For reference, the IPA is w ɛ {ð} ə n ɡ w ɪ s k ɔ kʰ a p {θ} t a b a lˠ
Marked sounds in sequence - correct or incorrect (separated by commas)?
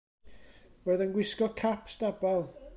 correct, incorrect